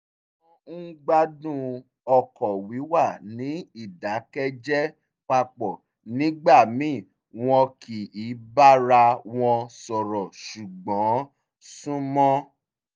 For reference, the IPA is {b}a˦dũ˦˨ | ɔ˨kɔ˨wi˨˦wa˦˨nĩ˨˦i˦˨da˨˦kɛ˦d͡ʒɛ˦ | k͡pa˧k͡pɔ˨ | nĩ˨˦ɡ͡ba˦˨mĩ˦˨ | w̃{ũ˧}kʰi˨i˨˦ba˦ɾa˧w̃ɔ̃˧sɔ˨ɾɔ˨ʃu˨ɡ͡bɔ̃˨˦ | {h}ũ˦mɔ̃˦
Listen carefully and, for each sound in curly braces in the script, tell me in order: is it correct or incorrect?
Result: incorrect: ɡ͡b, incorrect: ɔ̃˧, incorrect: s

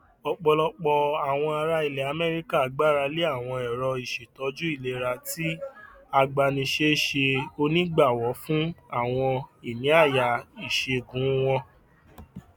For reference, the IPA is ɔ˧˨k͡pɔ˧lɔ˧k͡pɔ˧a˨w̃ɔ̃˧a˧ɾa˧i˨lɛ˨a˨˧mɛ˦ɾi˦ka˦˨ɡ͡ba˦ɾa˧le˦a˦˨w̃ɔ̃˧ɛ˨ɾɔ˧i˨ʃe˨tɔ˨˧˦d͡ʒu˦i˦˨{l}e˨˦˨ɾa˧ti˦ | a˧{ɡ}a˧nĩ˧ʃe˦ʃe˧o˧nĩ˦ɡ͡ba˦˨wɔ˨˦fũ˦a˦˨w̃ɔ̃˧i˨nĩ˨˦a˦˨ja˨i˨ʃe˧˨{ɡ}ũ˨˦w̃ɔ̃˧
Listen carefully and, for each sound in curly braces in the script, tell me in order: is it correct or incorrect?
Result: correct, incorrect: ɡ͡b, correct

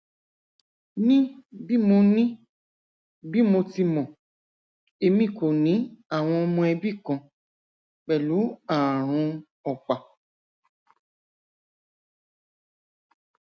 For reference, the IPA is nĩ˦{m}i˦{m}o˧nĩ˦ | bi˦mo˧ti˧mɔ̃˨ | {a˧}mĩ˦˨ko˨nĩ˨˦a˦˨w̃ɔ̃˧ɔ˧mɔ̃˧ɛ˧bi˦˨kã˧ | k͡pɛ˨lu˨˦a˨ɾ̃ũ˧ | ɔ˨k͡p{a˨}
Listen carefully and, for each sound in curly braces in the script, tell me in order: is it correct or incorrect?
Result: incorrect: b, correct, incorrect: e˧, correct

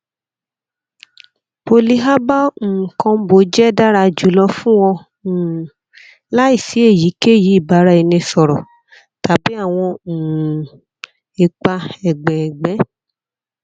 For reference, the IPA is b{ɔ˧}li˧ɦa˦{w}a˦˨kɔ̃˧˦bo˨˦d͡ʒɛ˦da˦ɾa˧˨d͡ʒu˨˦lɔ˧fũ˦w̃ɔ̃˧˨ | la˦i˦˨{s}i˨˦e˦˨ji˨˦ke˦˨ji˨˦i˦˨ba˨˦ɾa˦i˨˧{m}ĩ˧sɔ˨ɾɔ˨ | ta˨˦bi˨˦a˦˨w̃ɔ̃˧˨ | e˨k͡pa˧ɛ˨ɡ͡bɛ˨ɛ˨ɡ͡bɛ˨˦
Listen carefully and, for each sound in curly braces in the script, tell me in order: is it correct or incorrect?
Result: incorrect: o˧, incorrect: b, correct, incorrect: n

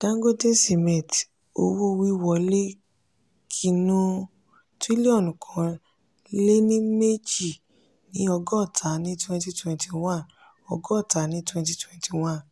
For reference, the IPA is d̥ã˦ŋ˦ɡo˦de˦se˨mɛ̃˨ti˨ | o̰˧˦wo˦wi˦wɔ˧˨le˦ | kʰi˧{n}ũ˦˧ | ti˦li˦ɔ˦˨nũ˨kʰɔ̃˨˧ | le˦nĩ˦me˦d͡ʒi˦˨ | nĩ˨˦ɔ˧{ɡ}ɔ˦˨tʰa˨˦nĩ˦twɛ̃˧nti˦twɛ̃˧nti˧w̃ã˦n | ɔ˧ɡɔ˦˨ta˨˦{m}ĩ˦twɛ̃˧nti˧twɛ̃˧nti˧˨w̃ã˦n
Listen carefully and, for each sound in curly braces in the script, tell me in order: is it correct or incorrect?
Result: correct, correct, incorrect: n

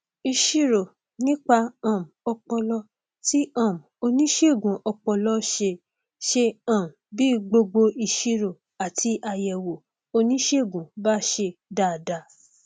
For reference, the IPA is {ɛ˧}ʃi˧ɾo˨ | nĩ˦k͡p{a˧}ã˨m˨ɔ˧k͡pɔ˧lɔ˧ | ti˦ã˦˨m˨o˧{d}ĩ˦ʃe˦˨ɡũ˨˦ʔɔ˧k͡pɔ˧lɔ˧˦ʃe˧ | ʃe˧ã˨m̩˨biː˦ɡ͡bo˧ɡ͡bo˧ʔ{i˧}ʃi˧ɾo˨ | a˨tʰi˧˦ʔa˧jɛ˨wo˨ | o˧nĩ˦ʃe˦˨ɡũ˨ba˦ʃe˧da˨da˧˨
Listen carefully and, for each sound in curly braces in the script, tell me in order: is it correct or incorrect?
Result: incorrect: i˧, correct, incorrect: n, correct

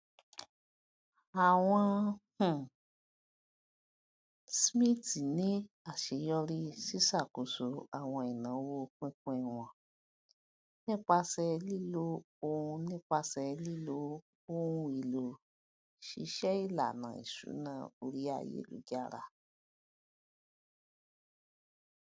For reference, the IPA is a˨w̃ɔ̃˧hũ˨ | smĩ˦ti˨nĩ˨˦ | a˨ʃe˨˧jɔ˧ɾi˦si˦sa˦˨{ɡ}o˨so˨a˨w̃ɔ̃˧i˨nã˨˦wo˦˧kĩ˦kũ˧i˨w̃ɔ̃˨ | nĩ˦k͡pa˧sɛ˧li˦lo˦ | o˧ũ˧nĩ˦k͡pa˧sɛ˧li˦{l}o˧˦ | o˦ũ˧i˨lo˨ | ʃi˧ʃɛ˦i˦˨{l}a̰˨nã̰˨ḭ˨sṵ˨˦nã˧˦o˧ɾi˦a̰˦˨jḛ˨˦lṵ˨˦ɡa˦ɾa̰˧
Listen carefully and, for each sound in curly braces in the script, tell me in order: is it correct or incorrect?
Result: incorrect: k, correct, correct

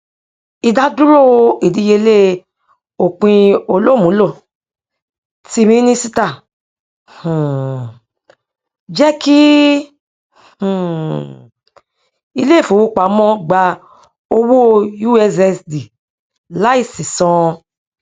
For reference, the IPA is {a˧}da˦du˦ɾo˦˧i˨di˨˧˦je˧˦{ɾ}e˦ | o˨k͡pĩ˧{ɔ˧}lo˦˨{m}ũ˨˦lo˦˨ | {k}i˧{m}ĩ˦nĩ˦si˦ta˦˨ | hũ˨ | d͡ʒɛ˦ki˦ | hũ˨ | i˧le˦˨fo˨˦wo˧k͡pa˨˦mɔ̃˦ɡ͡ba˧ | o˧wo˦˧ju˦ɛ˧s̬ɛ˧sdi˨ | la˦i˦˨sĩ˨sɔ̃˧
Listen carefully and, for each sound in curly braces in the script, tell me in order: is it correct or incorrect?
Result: incorrect: i˧, incorrect: l, incorrect: o˧, correct, incorrect: t, correct

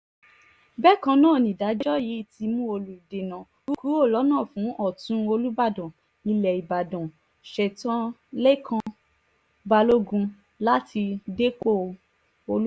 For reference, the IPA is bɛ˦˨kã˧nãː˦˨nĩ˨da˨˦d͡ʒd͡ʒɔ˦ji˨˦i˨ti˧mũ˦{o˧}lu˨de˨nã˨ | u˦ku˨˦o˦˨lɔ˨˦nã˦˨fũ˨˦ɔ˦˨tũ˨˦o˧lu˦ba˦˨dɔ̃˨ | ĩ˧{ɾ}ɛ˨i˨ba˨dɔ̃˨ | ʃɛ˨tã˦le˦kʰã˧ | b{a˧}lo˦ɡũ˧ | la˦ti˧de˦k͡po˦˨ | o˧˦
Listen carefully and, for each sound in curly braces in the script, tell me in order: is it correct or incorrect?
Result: correct, incorrect: l, correct

